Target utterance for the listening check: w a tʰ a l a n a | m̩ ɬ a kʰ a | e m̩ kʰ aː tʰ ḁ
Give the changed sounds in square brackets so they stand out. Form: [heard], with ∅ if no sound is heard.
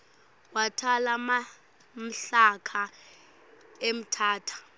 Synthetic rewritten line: w a tʰ a l a [m] a | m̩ ɬ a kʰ a | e m̩ [tʰ] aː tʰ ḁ